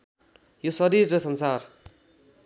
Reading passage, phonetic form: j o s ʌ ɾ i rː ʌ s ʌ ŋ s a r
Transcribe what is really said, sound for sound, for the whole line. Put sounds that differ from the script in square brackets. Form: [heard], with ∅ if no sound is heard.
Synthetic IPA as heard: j o s ʌ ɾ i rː ʌ s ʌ [n] s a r